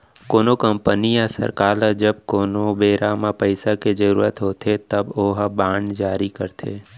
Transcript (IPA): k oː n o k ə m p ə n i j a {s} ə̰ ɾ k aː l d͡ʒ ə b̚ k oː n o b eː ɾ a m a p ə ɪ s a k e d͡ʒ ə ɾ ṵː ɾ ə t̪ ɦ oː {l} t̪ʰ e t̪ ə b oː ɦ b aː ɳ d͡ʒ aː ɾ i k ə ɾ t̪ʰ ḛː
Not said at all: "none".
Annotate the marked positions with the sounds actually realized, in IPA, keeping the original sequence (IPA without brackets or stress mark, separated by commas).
s, none